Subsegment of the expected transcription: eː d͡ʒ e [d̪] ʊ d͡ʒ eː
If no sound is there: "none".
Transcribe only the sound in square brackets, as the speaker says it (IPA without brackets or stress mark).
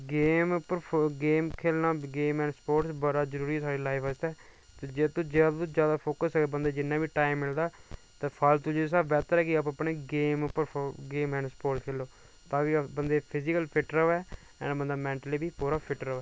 t̪